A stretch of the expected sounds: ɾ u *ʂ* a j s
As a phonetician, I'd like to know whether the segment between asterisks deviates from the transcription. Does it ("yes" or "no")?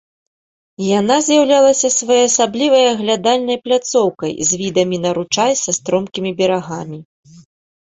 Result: yes